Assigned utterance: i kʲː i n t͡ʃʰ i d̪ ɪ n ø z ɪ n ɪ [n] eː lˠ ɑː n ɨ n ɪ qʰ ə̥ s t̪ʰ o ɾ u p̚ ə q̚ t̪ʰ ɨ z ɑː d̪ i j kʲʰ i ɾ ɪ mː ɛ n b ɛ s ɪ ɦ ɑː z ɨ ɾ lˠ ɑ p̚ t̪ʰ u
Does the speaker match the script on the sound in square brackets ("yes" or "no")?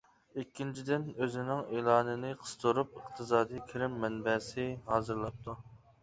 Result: no